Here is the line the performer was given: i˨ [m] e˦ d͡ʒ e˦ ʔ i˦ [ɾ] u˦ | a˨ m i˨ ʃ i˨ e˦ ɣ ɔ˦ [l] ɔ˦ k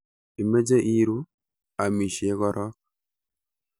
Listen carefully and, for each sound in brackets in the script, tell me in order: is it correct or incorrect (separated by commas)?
correct, correct, incorrect